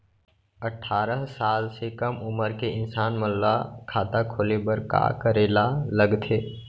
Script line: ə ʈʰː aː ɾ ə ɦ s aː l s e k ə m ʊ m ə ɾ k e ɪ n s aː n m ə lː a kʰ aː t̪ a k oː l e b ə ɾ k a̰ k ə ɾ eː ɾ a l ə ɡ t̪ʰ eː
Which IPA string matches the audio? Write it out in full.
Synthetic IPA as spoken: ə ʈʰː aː ɾ ə ɦ s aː l s e k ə m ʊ m ə ɾ k e ɪ n s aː n m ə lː a kʰ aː t̪ a kʰ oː l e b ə ɾ k a̰ k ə ɾ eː l a l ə ɡ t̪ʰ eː